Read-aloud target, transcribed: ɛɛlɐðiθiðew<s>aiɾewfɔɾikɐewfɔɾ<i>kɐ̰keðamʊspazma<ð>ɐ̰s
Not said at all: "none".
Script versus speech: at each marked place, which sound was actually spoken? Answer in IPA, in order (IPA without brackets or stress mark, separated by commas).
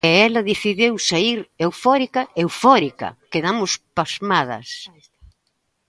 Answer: s, i, ð